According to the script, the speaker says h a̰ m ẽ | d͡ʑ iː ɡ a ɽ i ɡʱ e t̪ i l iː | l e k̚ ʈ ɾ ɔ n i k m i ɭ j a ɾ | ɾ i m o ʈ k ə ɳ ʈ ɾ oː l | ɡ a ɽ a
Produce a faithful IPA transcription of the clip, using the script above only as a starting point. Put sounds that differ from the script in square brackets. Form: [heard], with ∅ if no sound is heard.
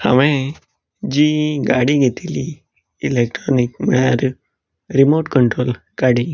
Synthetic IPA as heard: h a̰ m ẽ | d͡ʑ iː ɡ a ɽ i ɡʱ e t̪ i l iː | l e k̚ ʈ ɾ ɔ n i k m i ɭ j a ɾ | ɾ i m o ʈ k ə ɳ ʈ ɾ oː l | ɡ a ɽ [i]